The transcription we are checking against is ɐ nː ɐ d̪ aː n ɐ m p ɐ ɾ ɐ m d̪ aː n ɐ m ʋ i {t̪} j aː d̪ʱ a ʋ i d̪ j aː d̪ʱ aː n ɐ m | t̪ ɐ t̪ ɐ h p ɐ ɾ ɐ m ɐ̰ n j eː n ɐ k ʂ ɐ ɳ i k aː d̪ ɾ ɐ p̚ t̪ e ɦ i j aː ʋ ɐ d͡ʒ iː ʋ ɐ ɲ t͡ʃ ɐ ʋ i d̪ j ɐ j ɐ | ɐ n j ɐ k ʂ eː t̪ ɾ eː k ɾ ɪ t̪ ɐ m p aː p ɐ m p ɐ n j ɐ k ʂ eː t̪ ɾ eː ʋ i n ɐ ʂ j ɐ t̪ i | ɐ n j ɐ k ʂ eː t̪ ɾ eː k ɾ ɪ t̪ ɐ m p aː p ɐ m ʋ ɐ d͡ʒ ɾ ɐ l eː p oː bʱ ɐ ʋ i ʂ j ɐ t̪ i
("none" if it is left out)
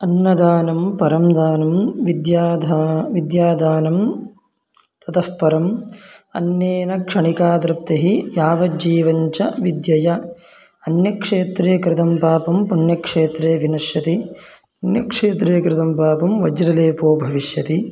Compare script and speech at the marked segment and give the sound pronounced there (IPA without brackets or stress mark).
d̪